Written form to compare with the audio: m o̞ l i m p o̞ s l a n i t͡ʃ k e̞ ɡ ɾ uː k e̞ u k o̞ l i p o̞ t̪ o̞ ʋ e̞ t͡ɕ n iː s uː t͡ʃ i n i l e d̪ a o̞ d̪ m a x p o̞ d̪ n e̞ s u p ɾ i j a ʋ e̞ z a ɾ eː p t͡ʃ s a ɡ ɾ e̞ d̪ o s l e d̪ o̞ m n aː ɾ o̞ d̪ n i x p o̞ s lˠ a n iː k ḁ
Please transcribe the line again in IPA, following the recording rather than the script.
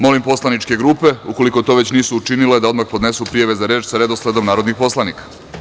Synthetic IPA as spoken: m o̞ l i m p o̞ s l a n i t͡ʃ k e̞ ɡ ɾ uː p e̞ u k o̞ l i k o̞ t̪ o̞ ʋ e̞ t͡ɕ n iː s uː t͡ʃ i n i l e d̪ a o̞ d̪ m a x p o̞ d̪ n e̞ s u p ɾ i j a ʋ e̞ z a ɾ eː t͡ʃ s a ɾ e̞ d̪ o s l e d̪ o̞ m n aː ɾ o̞ d̪ n i x p o̞ s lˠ a n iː k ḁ

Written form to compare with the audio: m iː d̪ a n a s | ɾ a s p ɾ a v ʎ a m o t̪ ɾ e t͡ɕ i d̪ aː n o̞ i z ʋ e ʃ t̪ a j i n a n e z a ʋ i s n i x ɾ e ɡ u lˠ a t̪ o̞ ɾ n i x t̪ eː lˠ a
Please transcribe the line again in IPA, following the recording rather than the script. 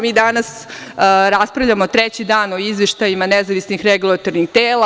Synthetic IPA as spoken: m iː d̪ a n a s | ɾ a s p ɾ a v ʎ a m o t̪ ɾ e t͡ɕ i d̪ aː n o̞ i z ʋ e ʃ t̪ a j i m a n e z a ʋ i s n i x ɾ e ɡ u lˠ a t̪ o̞ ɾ n i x t̪ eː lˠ a

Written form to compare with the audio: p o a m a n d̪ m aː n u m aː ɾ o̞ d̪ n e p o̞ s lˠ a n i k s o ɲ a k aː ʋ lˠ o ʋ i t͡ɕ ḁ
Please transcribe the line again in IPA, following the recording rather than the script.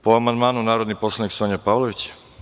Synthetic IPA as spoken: p o a m a n d̪ m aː n u n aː ɾ o̞ d̪ n i p o̞ s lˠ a n i k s o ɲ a p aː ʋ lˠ o ʋ i t͡ɕ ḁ

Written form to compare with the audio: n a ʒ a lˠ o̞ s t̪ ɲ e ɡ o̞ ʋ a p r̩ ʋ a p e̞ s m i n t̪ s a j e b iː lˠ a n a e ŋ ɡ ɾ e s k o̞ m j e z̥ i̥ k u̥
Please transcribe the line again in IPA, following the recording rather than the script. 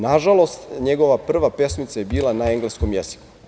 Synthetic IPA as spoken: n a ʒ a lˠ o̞ s t̪ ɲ e ɡ o̞ ʋ a p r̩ ʋ a p e̞ s m i t̪ s a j e b iː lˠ a n a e ŋ ɡ l e s k o̞ m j e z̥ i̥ k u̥

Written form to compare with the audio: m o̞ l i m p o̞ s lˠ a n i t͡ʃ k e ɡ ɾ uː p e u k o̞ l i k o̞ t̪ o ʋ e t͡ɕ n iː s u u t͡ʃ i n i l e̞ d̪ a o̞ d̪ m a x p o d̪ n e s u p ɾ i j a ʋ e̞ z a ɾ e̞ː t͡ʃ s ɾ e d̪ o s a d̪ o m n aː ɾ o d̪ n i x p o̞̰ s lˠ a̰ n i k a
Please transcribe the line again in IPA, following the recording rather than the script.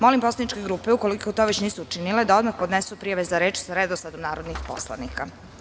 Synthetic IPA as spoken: m o̞ l i m p o̞ s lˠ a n i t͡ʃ k e ɡ ɾ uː p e u k o̞ l i k o̞ t̪ o ʋ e t͡ɕ n iː s u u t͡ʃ i n i l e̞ d̪ a o̞ d̪ m a x p o d̪ n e s u p ɾ i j a ʋ e̞ z a ɾ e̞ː t͡ʃ s ɾ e d̪ o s a d̪ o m n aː ɾ o d̪ n i x p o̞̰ s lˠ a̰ n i k a

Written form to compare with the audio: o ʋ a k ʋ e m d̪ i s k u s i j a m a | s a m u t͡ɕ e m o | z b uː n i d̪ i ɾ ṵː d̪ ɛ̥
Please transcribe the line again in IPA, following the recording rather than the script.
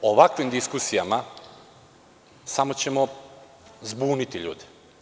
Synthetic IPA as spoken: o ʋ a k ʋ i m d̪ i s k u s i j a m a | s a m o t͡ɕ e m o | z b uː n i t̪ i ʎ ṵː d̪ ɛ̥

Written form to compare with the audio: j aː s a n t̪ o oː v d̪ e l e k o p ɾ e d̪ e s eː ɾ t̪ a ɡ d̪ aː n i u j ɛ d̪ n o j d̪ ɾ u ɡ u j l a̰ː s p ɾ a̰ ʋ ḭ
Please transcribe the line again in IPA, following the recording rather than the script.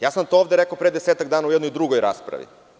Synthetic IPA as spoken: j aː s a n t̪ o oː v d̪ e ɾ e k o p ɾ e d̪ e s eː t̪ a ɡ d̪ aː n a u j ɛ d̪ n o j d̪ ɾ u ɡ o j ɾ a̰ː s p ɾ a̰ ʋ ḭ

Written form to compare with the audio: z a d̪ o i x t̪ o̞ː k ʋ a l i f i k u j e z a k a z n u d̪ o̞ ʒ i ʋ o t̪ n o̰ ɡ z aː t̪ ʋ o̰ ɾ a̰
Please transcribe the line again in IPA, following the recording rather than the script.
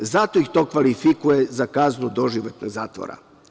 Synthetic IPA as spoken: z a t̪ o i x t̪ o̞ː k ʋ a l i f i k u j e z a k a z n u d̪ o̞ ʒ i ʋ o t̪ n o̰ ɡ z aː t̪ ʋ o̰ ɾ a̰

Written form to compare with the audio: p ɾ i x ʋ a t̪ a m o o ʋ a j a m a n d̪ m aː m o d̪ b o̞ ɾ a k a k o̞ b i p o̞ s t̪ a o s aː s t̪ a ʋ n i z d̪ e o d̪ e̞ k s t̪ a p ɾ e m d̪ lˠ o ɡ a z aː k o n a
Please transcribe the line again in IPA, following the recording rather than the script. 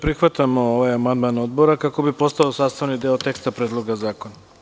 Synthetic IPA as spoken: p ɾ i x ʋ a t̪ a m o o ʋ a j a m a n d̪ m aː n o d̪ b o̞ ɾ a k a k o̞ b i p o̞ s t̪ a o s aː s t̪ a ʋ n i d̪ e o t̪ e̞ k s t̪ a p ɾ e d̪ lˠ o ɡ a z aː k o n a

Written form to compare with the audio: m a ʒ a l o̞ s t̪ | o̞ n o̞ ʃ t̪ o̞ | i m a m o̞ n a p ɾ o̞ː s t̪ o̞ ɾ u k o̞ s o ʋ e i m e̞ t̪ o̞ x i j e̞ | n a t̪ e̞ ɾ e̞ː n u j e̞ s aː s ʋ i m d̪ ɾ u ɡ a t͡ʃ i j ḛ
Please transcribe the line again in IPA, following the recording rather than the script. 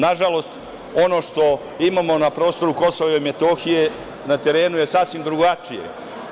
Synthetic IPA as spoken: n a ʒ a l o̞ s t̪ | o̞ n o̞ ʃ t̪ o̞ | i m a m o̞ n a p ɾ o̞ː s t̪ o̞ ɾ u k o̞ s o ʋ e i m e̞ t̪ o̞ x i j e̞ | n a t̪ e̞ ɾ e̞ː n u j e̞ s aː s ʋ i m d̪ ɾ u ɡ a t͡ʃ i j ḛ

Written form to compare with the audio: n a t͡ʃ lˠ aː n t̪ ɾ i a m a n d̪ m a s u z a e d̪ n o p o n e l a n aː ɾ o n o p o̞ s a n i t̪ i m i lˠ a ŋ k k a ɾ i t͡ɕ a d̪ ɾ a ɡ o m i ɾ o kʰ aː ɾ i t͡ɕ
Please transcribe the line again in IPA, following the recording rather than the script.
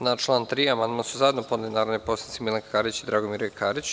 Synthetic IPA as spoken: n a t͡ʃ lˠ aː n t̪ ɾ i a m a n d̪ m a s u z a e d̪ n o p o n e l i n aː ɾ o n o p o̞ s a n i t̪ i m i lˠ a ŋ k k a ɾ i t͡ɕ i d̪ ɾ a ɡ o m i ɾ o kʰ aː ɾ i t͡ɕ

